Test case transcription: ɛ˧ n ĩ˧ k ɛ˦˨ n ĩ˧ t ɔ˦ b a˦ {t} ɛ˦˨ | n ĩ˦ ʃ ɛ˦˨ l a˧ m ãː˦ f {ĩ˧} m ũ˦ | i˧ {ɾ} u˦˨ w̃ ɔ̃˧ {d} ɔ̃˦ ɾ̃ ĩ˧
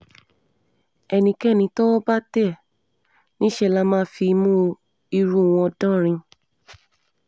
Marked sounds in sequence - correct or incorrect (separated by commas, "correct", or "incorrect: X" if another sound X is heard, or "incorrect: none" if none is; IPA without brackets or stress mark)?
correct, incorrect: i˧, correct, correct